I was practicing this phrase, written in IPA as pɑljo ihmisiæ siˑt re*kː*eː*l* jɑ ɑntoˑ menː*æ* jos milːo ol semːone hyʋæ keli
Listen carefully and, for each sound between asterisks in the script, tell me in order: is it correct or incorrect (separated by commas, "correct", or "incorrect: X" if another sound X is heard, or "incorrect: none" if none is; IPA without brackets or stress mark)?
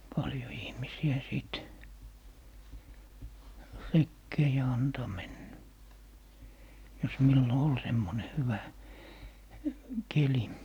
correct, incorrect: none, correct